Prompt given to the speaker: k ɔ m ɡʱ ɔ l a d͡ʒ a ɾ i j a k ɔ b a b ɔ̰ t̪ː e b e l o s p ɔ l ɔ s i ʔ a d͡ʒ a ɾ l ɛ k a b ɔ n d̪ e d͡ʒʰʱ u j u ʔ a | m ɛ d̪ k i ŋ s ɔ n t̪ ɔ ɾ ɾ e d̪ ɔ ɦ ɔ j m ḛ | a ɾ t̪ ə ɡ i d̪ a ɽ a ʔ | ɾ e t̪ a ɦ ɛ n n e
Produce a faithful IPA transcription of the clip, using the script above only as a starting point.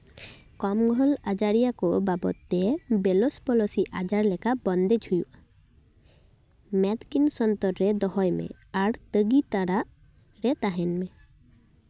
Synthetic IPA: k ɔ m ɡʱ ɔ l a d͡ʒ a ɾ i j a k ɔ b a b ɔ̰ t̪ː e b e l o s p ɔ l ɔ s i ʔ a d͡ʒ a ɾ l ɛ k a b ɔ n d̪ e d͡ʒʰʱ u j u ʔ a | m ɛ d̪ k i n s ɔ n t̪ ɔ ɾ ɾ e d̪ ɔ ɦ ɔ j m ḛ | a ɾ t̪ ə ɡ i t̪ a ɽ a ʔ | ɾ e t̪ a ɦ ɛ n m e